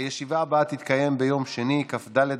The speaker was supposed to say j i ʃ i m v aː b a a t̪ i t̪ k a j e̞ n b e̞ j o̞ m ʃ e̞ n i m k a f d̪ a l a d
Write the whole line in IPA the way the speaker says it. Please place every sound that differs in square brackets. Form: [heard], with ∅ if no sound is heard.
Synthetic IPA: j [e] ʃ i [∅] v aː b a a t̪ i t̪ k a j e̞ [m] b e̞ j o̞ m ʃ e̞ n i [∅] k a f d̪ a l [e] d